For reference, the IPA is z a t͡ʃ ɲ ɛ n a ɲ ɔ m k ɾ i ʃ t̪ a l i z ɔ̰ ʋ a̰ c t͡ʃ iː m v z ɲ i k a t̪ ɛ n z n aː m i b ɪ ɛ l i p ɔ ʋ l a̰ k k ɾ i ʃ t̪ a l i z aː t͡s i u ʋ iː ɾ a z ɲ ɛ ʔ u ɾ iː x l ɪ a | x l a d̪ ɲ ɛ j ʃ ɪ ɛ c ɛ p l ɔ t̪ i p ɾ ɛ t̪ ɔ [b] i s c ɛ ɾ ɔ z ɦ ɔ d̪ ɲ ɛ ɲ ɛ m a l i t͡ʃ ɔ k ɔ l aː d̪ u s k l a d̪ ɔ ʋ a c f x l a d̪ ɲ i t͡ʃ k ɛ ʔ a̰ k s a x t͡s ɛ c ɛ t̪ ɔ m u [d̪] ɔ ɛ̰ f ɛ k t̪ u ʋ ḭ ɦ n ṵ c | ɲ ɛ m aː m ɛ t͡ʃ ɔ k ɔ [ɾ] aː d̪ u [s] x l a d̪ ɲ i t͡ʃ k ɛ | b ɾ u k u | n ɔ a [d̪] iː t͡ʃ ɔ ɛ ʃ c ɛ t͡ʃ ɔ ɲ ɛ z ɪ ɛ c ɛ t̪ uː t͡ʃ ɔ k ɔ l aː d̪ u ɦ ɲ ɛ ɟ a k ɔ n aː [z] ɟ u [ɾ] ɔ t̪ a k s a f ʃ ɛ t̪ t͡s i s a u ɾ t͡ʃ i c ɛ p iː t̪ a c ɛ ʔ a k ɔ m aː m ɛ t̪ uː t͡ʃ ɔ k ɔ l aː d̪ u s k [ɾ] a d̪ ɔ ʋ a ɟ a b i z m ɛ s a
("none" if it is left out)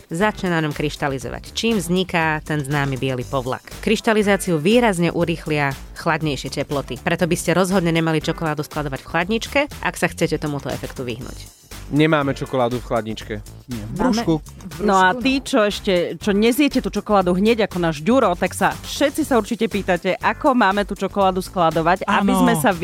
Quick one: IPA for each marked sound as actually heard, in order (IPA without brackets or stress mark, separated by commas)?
b, t̪, l, f, t̪, ʒ, ɾ, l